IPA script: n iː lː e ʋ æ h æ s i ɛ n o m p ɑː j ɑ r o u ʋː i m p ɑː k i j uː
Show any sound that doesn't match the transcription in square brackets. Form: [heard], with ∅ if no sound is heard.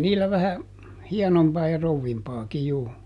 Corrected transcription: n iː lː [æ] ʋ æ h æ [h] i ɛ n o m p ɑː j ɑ r o u ʋː i m p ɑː k i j uː